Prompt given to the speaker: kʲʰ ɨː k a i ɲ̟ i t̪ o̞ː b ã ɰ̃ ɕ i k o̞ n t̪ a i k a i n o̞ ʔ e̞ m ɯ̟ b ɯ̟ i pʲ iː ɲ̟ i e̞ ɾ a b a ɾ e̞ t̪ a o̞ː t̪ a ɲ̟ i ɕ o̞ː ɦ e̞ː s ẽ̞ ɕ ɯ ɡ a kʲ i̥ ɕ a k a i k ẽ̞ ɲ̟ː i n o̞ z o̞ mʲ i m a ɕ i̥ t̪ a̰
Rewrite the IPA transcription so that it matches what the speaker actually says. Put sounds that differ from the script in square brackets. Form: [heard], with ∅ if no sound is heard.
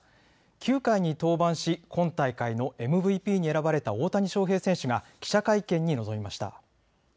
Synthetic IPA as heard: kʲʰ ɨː k a i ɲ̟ i t̪ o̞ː b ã ɰ̃ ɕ i k [õ̞] n t̪ a i k a i n o̞ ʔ e̞ m ɯ̟ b ɯ̟ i pʲ iː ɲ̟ i e̞ ɾ a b a ɾ e̞ t̪ a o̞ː t̪ a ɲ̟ i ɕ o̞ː ɦ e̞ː s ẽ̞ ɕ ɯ ɡ a kʲ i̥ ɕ a k a i k ẽ̞ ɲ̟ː i n o̞ z o̞ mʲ i m a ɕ i̥ t̪ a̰